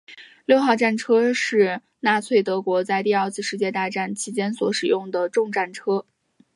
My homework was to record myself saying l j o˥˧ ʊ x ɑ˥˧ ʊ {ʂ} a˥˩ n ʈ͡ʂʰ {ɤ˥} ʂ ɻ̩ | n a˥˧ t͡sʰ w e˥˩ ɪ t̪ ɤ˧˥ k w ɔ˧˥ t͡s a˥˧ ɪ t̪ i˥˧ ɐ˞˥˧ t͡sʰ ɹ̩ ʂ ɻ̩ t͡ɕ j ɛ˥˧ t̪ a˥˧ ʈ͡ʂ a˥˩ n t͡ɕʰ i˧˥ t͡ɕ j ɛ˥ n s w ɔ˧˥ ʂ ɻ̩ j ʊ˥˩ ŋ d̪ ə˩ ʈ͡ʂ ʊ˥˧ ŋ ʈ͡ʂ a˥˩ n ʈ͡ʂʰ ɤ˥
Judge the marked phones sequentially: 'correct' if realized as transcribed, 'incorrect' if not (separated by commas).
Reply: incorrect, correct